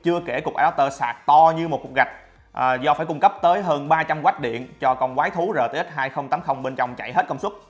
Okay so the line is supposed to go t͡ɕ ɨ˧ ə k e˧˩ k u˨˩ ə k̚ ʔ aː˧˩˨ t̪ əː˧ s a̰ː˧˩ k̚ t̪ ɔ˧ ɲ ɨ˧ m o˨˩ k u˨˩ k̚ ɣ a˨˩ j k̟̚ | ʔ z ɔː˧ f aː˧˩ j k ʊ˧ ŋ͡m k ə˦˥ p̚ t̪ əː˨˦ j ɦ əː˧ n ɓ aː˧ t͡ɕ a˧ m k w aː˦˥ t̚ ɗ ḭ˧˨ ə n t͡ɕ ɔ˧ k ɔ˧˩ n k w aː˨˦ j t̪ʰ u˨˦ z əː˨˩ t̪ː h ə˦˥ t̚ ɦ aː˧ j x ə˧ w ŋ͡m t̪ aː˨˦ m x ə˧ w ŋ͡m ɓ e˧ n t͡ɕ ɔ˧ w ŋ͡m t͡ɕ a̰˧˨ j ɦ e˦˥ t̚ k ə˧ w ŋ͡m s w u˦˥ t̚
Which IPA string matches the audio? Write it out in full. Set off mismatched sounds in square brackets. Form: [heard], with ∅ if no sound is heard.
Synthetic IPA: t͡ɕ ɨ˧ ə k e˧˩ k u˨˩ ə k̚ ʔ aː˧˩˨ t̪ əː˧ s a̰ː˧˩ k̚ t̪ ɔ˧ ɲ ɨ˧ m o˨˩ k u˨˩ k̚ ɣ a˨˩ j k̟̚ | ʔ z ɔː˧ f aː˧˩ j k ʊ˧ ŋ͡m k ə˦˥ p̚ t̪ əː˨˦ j ɦ əː˧ n ɓ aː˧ t͡ɕ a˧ m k w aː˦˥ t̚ ɗ ḭ˧˨ ə n t͡ɕ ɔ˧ k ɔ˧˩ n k w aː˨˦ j t̪ʰ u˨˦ z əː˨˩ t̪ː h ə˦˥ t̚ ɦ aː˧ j x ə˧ w ŋ͡m t̪ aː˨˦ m x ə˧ w ŋ͡m ɓ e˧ n t͡ɕ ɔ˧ w ŋ͡m t͡ɕ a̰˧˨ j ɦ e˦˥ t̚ k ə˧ w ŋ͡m s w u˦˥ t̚